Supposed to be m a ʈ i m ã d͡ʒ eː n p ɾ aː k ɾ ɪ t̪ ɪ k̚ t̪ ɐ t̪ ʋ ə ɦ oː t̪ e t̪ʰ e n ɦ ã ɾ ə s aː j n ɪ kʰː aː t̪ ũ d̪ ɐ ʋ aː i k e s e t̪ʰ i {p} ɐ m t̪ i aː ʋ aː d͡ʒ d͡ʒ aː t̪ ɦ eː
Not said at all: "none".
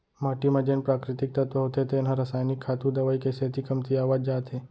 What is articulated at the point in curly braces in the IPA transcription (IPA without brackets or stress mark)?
k